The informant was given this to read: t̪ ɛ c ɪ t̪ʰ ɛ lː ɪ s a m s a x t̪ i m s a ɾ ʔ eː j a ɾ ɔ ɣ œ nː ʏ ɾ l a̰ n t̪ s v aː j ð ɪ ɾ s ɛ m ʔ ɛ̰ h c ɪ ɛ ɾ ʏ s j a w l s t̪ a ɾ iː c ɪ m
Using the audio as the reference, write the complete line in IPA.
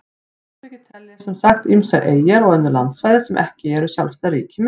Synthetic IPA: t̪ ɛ c ɪ t̪ʰ ɛ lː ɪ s ɛ m s a x t̪ i m s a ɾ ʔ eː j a ɾ ɔ ɣ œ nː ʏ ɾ l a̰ n t̪ s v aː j ð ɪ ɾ s ɛ m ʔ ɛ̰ h c ɪ ɛ ɾ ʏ s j a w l s t̪ a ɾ iː c ɪ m